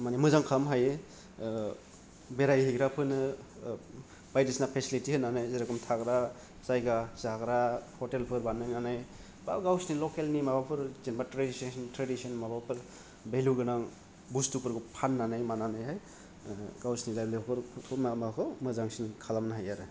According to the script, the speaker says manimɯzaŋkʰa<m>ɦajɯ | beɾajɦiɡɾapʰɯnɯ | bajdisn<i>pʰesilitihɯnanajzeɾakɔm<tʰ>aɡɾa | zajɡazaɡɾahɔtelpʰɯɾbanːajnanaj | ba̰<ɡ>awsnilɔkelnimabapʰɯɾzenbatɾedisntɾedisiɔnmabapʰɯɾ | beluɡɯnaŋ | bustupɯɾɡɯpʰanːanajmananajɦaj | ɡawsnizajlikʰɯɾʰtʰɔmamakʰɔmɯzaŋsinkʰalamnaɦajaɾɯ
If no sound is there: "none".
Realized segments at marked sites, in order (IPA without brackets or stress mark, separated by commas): m, a, tʰ, ɡ